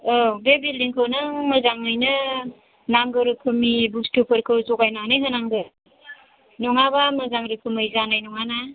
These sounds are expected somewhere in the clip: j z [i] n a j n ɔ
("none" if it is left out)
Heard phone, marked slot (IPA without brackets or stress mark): a